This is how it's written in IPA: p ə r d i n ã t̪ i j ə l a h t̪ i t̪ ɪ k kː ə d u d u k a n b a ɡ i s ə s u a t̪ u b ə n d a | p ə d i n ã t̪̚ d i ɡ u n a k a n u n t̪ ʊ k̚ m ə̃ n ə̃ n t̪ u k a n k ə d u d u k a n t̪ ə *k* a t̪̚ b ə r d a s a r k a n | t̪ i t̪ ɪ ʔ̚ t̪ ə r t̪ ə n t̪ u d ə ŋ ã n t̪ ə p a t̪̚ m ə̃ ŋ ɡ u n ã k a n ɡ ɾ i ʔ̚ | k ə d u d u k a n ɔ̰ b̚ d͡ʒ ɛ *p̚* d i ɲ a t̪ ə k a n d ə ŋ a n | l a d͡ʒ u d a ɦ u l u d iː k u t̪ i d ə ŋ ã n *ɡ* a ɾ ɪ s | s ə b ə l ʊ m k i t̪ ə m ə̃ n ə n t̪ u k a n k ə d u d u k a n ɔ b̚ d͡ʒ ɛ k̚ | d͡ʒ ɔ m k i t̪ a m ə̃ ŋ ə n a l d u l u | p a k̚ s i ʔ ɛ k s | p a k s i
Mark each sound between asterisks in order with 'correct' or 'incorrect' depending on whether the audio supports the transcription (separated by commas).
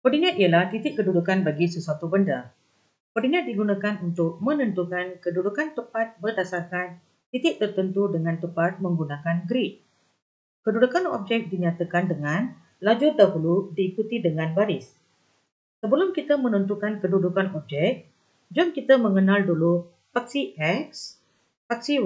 incorrect, incorrect, incorrect